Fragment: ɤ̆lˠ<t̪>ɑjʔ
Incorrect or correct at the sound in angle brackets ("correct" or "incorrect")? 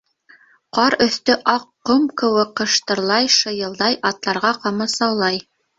incorrect